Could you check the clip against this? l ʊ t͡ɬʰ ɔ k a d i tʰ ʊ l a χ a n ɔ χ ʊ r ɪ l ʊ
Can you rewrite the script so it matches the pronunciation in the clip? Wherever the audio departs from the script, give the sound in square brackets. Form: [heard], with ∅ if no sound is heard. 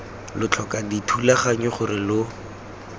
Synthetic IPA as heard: l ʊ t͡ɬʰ ɔ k a d i tʰ [u] l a χ a [ɲ] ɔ χ ʊ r ɪ l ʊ